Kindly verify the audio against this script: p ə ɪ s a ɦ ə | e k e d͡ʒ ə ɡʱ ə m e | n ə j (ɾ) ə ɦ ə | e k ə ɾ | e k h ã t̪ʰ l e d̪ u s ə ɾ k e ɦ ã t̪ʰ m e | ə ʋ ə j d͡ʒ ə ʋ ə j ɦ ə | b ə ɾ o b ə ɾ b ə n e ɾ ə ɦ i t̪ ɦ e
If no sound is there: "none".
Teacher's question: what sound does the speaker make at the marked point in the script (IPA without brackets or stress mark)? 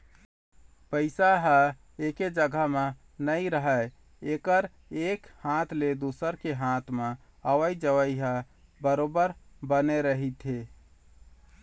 ɾ